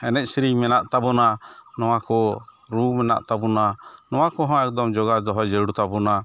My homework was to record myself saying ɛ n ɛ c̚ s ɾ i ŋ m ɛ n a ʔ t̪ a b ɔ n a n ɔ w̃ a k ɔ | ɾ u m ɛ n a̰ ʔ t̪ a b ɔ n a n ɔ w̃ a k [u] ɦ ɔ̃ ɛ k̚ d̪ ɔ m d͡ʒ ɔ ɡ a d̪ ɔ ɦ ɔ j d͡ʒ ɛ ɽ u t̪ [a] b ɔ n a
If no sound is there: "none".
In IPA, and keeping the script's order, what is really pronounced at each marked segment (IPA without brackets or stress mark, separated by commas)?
ɔ, a